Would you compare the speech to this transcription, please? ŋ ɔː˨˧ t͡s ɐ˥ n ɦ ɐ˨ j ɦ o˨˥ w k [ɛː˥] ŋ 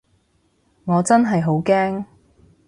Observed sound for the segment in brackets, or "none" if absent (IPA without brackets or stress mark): ɛː˥